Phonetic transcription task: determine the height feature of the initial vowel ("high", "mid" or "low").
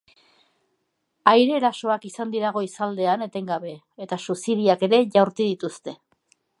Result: low